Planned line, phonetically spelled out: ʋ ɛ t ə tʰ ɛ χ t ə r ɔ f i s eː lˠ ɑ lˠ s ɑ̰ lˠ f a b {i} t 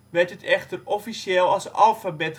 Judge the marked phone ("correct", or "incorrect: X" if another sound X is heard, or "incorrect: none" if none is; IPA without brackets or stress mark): incorrect: ɛ